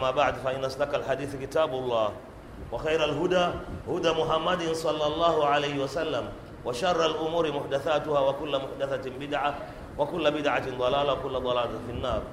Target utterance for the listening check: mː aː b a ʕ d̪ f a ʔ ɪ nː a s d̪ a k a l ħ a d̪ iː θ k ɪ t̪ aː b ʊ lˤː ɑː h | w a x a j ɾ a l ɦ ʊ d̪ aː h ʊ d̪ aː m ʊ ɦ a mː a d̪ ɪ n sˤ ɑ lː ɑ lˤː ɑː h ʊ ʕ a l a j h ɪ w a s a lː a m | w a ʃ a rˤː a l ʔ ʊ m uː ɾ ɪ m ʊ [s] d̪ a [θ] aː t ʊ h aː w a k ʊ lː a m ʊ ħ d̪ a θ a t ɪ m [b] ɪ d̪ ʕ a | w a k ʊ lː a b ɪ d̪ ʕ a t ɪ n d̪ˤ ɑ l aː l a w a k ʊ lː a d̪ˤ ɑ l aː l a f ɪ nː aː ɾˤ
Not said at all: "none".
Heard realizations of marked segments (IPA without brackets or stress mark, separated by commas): ħ, θ, b